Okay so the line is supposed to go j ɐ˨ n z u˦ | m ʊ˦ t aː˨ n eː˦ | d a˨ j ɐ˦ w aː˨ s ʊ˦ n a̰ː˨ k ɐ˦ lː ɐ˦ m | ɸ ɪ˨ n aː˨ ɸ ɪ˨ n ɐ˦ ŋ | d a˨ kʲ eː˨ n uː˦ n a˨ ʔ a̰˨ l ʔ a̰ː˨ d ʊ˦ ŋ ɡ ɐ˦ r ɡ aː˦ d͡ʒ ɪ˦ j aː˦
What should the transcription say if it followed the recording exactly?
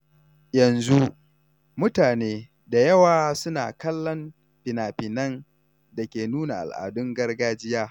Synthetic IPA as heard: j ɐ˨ n z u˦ | m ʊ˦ t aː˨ n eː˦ | d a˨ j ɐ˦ w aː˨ s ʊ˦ n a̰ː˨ k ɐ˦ lː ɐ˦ m | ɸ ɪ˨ n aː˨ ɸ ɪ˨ n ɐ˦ n | d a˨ kʲ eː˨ n uː˦ n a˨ ʔ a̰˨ l ʔ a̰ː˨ d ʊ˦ ŋ ɡ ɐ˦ r ɡ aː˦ d͡ʒ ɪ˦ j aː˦